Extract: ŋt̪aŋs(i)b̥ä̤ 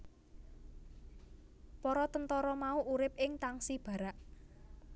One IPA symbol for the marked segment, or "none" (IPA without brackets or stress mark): i